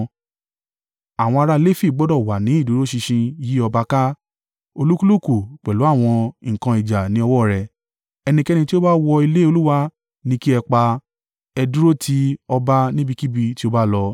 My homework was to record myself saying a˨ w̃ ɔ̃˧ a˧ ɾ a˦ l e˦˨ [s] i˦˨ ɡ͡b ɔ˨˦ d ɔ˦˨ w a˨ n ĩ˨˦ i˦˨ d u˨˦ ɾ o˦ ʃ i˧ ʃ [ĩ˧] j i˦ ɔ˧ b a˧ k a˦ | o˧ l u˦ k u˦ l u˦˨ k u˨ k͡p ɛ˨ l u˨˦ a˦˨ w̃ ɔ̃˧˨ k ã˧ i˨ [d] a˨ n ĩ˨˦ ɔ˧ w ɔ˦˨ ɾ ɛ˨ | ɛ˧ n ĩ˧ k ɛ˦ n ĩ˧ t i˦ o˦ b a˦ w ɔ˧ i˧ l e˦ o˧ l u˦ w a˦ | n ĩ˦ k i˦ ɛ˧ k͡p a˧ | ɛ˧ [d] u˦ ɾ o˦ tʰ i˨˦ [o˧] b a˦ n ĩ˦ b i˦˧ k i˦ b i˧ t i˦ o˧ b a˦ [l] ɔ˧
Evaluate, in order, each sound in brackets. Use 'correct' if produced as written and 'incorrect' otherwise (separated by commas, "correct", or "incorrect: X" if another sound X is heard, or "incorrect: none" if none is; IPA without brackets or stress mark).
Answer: incorrect: f, correct, incorrect: d͡ʒ, correct, incorrect: ɔ˧, correct